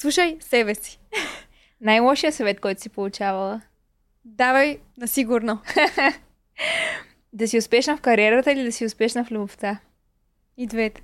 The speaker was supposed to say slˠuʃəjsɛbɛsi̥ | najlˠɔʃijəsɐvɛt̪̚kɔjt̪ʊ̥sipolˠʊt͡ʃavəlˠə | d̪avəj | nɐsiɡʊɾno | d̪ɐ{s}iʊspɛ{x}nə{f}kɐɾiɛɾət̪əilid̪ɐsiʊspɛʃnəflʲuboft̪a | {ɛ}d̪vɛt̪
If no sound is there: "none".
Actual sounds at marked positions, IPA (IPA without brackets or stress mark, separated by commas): s, ʃ, f, i